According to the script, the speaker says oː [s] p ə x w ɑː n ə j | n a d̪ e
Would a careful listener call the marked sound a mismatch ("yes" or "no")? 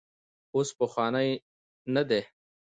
no